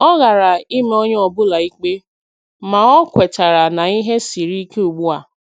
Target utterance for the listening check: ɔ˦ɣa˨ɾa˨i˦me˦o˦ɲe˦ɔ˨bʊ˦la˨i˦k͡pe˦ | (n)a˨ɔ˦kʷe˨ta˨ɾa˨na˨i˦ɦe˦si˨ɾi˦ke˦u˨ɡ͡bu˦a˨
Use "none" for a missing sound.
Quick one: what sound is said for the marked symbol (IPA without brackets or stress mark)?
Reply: m